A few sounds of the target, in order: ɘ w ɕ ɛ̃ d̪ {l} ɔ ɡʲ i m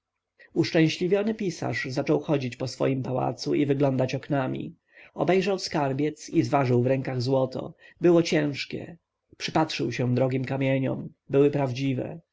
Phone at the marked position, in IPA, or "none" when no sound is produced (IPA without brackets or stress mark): ɾ